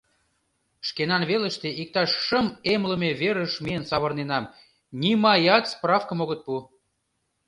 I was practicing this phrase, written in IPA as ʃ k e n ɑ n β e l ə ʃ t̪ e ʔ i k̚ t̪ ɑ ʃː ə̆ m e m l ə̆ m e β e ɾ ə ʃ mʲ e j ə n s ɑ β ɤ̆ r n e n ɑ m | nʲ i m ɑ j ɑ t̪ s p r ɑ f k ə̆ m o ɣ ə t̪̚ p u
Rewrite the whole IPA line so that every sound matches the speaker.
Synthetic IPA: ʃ k e n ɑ n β e l ə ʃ t̪ e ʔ i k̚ t̪ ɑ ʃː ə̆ m e m l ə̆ m e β e ɾ ə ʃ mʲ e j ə n s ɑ β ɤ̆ r n e n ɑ m | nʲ i m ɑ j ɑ t̪ s p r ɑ f k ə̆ m o ɣ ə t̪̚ p u